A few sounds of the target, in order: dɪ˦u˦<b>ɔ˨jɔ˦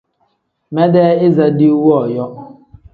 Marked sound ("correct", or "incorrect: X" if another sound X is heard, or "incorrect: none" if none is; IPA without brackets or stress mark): incorrect: w